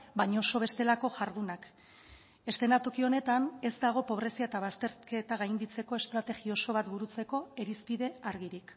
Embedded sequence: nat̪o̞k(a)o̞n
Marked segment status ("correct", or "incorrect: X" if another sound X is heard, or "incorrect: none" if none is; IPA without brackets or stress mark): incorrect: i